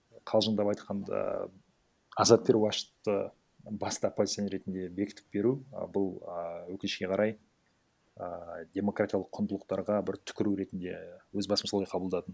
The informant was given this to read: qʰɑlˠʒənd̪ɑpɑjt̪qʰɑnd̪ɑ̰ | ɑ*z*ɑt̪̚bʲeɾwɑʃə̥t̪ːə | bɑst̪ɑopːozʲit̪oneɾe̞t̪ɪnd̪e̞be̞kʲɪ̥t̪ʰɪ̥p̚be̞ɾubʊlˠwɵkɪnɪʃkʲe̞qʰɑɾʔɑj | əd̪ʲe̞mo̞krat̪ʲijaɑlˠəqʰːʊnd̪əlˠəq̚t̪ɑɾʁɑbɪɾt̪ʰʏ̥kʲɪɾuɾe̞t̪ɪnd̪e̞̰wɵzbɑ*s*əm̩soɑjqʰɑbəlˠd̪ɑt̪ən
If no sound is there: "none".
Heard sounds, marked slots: z, s

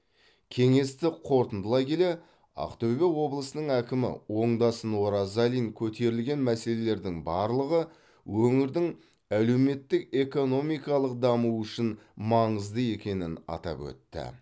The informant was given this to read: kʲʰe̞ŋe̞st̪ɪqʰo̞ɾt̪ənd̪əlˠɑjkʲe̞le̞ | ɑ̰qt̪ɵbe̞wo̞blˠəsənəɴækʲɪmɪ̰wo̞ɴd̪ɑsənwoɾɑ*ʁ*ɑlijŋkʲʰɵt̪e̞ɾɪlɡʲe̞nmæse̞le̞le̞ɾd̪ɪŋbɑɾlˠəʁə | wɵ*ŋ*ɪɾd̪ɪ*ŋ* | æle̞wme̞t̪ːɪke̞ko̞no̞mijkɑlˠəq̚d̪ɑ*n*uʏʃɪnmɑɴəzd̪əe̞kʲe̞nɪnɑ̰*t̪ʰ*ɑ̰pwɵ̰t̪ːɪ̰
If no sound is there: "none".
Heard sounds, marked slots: z, ŋ, ŋ, m, t̪

